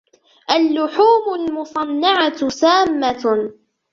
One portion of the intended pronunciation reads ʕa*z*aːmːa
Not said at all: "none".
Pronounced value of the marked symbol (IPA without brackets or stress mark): s